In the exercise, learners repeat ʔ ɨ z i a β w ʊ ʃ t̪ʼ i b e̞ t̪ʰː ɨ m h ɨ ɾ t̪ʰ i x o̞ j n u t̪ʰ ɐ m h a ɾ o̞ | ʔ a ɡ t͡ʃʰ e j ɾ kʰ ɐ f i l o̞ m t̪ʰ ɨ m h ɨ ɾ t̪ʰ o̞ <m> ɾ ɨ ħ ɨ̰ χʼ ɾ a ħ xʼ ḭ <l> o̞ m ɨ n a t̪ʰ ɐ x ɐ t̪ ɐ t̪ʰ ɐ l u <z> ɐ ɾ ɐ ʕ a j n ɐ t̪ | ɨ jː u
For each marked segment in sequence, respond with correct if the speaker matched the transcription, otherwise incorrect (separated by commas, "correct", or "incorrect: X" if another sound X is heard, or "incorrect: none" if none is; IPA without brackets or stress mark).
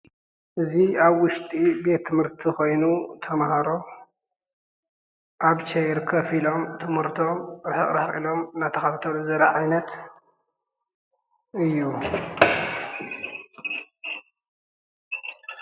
correct, correct, correct